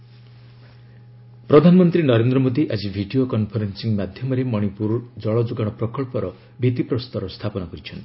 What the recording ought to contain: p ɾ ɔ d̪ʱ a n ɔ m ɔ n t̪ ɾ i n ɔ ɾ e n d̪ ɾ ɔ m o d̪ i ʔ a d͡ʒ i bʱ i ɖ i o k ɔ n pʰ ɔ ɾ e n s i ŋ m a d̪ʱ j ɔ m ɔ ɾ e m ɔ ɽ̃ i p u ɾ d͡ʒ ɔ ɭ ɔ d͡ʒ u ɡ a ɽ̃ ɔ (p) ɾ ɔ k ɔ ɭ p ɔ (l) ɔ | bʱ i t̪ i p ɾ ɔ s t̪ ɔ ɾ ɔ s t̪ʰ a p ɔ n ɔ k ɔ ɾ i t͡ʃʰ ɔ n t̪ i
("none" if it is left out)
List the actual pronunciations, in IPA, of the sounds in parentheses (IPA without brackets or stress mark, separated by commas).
p, ɾ